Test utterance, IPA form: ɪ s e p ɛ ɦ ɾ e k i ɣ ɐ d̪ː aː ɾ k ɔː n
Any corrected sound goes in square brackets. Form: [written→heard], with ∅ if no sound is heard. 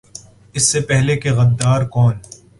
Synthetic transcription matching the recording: ɪ [s→sː] e p ɛ ɦ [ɾ→l] e k [i→e] ɣ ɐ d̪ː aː ɾ k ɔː n

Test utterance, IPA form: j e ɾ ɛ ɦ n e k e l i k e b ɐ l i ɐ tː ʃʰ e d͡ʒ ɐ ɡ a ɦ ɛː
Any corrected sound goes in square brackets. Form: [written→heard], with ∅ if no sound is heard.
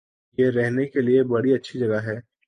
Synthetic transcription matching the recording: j e ɾ ɛ ɦ n e k e l i [k→∅] e b ɐ [l→ɽ] i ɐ tː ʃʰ [e→i] d͡ʒ ɐ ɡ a ɦ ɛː

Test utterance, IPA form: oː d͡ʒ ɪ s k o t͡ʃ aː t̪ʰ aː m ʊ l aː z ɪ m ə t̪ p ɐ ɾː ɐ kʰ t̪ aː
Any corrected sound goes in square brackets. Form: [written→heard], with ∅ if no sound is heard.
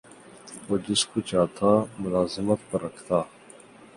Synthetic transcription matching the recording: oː d͡ʒ ɪ s k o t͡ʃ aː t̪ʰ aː m ʊ l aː z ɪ m ə t̪ p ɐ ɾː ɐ kʰ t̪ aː

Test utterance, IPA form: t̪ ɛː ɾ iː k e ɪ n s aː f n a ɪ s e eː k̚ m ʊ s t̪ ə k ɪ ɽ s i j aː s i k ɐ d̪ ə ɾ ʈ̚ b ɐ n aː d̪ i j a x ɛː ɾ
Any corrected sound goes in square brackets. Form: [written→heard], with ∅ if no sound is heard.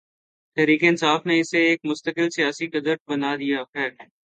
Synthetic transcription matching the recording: t̪ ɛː ɾ iː k e ɪ n s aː f n [a→e] ɪ s e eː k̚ m ʊ s t̪ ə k ɪ [ɽ→l] s i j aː s i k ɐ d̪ ə ɾ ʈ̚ b ɐ n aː d̪ i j a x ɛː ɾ

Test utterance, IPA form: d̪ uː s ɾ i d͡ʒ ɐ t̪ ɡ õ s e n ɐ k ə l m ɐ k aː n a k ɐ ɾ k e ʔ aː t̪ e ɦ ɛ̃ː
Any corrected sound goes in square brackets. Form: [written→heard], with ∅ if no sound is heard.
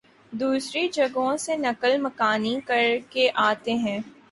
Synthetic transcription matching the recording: d̪ uː s ɾ i d͡ʒ ɐ [t̪→∅] ɡ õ s e n ɐ k ə l m ɐ k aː n [a→i] k ɐ ɾ k e ʔ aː t̪ e ɦ ɛ̃ː

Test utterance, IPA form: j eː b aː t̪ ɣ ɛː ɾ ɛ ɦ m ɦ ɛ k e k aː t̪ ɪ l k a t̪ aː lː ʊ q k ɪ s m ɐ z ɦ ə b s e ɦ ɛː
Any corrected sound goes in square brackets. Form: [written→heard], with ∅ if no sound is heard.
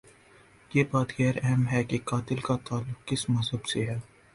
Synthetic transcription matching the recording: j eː b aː t̪ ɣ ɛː ɾ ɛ ɦ m ɦ ɛ k e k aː t̪ ɪ l k a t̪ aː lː ʊ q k ɪ s m ɐ z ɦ ə b s e ɦ ɛː

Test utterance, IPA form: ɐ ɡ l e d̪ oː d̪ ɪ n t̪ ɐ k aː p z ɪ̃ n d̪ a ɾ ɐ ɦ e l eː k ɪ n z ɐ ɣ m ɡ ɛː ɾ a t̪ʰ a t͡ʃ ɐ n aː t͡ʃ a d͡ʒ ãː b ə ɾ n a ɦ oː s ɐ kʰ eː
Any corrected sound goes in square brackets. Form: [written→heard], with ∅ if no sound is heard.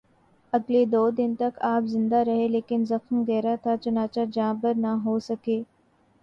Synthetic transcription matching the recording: ɐ ɡ l e d̪ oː d̪ ɪ n t̪ ɐ k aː p z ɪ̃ n d̪ a ɾ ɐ ɦ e l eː k ɪ n z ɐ [ɣ→x] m ɡ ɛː ɾ a t̪ʰ a t͡ʃ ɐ n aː t͡ʃ a d͡ʒ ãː b ə ɾ n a ɦ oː s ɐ [kʰ→k] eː

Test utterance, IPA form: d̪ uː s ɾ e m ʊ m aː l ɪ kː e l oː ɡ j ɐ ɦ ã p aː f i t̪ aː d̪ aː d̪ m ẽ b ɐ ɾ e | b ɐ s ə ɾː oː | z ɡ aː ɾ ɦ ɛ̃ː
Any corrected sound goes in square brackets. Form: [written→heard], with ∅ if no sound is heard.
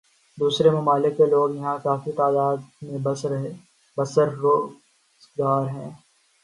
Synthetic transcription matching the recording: d̪ uː s ɾ e m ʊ m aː l ɪ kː e l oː ɡ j ɐ ɦ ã [p→k] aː f i t̪ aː d̪ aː d̪ m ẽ b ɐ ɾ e | b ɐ s ə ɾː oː | z ɡ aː ɾ ɦ ɛ̃ː

